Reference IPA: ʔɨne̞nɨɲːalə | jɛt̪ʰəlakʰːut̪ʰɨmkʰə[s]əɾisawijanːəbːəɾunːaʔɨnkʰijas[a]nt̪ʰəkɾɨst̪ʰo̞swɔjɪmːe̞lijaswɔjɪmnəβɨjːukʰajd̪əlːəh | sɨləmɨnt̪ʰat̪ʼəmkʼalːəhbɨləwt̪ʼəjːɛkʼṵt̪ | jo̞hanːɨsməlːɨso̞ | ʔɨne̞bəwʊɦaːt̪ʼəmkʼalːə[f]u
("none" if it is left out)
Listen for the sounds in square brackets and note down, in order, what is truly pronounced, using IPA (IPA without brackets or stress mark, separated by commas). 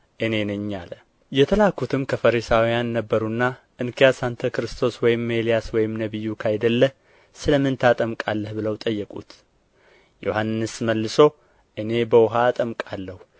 f, a, h